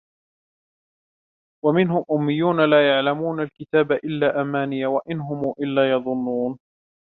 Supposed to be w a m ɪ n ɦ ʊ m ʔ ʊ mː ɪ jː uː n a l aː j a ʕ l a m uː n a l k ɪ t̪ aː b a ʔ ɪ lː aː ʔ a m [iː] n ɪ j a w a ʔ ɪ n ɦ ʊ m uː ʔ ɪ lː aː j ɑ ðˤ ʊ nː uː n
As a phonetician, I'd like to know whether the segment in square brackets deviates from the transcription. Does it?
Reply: yes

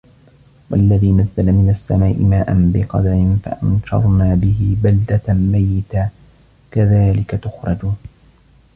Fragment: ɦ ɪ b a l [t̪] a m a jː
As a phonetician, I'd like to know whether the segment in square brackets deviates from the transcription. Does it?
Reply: yes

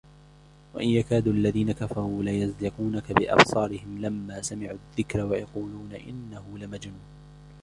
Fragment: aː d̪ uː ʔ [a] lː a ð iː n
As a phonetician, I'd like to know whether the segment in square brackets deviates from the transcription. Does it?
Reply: no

